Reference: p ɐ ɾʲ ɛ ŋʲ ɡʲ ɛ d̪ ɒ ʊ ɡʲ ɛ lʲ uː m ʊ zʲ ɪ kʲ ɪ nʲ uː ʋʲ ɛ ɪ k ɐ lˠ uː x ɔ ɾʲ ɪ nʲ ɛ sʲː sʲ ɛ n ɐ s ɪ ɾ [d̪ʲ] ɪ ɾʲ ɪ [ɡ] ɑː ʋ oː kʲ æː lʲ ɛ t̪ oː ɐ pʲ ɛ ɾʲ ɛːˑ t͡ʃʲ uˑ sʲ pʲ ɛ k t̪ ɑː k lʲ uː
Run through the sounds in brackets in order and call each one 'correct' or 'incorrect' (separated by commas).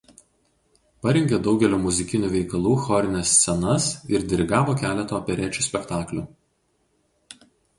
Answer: correct, correct